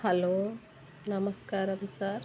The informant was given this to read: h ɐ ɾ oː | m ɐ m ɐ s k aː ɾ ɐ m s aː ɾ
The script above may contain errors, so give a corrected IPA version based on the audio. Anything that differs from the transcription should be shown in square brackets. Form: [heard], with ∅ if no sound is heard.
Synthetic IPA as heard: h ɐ [l] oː | [n] ɐ m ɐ s k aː ɾ ɐ m s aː ɾ